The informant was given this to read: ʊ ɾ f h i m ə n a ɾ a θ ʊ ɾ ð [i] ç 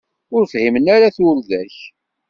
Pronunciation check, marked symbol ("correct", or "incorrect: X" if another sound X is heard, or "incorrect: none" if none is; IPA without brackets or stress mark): incorrect: æ